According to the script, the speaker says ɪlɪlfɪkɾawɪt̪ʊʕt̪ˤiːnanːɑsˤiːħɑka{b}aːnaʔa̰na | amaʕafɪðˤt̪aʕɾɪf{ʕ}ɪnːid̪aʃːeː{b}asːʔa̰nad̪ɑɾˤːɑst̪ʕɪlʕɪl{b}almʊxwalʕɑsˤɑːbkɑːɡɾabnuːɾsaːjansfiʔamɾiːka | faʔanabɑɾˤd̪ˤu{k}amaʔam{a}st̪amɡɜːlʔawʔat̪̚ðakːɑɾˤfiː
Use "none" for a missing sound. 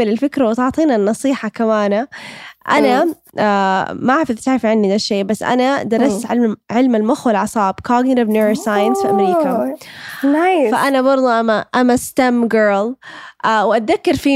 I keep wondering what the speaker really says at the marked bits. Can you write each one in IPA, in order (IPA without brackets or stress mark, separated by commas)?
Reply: m, ʕ, b, m, ʔ, a